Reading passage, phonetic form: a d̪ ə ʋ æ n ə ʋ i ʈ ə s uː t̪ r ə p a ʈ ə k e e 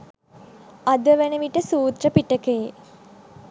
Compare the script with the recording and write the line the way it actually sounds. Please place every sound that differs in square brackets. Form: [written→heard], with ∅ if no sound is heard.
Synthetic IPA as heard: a d̪ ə ʋ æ n ə ʋ i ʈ ə s uː t̪ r ə p [a→i] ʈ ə k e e